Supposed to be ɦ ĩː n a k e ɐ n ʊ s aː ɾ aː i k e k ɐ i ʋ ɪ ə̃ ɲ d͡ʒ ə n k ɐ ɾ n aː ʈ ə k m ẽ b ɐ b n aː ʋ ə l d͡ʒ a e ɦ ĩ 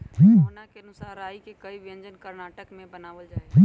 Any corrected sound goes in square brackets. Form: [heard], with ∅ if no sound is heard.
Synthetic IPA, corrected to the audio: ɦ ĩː n a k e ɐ n ʊ s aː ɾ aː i k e k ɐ i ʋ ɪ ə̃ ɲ d͡ʒ ə n k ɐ ɾ n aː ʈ ə k m ẽ b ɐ [∅] n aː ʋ ə l d͡ʒ a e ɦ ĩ